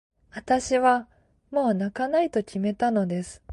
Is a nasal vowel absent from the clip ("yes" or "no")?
yes